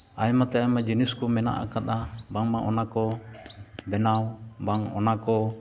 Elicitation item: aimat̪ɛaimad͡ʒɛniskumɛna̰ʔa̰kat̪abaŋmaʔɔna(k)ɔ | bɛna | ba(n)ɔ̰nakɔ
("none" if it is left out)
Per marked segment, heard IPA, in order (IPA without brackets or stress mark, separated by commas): k, ŋ